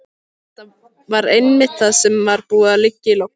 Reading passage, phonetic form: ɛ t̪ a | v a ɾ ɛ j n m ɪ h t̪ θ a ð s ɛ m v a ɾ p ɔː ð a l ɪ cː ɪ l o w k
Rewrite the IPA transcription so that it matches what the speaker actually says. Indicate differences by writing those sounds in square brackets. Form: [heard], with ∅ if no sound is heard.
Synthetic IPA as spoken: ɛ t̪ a | v a ɾ [e] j n m ɪ h t̪ θ a ð s ɛ m v a ɾ p [uː] ð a l ɪ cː ɪ l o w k